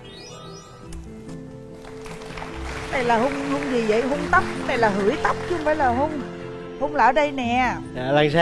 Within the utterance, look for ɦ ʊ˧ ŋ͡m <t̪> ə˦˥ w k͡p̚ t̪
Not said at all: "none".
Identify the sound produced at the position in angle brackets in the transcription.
t̪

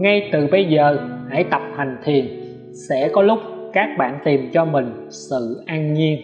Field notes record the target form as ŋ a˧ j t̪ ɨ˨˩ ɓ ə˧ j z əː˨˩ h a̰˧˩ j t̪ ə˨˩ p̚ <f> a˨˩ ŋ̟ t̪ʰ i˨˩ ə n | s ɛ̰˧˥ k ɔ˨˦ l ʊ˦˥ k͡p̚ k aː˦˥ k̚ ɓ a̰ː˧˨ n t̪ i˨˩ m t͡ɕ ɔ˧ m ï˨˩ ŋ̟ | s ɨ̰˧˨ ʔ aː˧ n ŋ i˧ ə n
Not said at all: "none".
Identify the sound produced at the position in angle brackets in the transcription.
h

